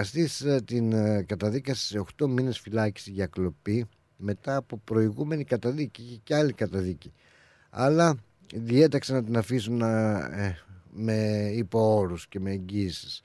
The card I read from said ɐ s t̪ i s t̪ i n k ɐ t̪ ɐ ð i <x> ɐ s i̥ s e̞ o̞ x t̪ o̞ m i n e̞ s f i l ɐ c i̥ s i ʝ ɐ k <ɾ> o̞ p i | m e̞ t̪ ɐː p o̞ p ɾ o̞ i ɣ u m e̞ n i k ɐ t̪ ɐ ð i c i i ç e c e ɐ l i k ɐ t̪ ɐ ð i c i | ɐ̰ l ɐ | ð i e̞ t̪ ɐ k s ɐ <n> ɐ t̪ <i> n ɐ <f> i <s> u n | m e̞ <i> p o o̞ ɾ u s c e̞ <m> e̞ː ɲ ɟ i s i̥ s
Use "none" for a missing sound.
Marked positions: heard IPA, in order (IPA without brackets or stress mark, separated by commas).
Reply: k, l, n, i, f, s, i, m